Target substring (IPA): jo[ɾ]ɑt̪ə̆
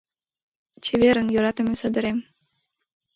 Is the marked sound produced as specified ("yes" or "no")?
yes